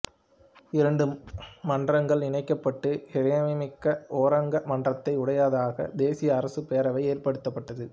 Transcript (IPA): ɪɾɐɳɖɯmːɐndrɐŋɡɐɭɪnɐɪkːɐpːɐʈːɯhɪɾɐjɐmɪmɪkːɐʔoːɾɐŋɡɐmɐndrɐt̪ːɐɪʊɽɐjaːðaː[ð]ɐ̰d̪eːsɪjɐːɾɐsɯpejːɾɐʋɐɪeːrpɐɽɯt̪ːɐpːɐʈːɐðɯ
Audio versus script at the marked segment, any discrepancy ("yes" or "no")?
yes